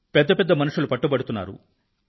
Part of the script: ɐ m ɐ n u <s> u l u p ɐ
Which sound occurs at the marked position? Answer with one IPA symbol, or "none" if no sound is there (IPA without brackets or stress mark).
ʂ